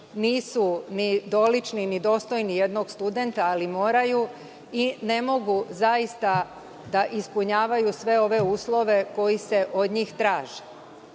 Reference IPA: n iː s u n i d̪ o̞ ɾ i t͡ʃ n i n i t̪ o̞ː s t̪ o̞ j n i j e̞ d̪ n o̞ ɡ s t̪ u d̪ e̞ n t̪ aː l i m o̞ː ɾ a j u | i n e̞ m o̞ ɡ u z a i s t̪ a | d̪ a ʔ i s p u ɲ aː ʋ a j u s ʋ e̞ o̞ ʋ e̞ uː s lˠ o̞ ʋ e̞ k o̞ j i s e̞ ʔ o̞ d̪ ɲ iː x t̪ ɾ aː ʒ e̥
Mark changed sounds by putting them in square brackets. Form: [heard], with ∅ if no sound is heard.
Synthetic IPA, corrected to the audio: n iː s u n i d̪ o̞ [l] i t͡ʃ n i n i [d̪] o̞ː s t̪ o̞ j n i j e̞ d̪ n o̞ ɡ s t̪ u d̪ e̞ n t̪ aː l i m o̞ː ɾ a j u | i n e̞ m o̞ ɡ u z a i s t̪ a | d̪ a ʔ i s p u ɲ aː ʋ a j u s ʋ e̞ o̞ ʋ e̞ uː s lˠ o̞ ʋ e̞ k o̞ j i s e̞ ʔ o̞ d̪ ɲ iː x t̪ ɾ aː ʒ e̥